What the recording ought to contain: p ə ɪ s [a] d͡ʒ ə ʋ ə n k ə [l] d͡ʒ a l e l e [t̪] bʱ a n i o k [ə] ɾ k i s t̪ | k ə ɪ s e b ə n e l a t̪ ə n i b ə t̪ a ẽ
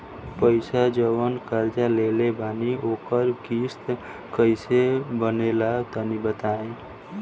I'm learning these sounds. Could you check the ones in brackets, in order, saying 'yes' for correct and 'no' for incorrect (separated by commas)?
yes, no, no, yes